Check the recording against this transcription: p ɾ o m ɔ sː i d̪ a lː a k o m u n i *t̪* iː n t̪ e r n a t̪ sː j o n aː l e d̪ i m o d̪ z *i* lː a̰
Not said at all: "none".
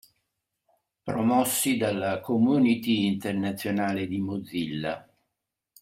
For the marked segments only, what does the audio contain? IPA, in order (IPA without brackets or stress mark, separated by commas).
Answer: t̪, i